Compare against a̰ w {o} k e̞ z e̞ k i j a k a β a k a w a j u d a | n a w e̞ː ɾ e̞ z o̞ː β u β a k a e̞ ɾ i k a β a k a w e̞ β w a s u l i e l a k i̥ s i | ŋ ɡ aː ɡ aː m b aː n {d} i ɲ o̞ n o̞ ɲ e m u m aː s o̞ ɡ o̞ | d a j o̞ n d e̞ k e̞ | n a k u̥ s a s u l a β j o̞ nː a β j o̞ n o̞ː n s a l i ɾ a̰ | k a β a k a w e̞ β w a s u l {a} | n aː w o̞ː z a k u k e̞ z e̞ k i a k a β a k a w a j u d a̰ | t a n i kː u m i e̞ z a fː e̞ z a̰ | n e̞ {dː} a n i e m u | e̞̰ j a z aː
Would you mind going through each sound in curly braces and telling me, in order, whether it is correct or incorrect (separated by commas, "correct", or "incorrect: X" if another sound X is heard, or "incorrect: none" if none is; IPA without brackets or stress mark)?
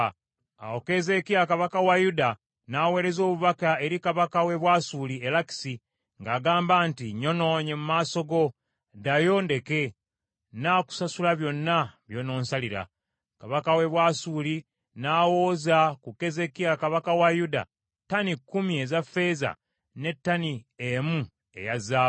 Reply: correct, incorrect: t, incorrect: i, incorrect: tː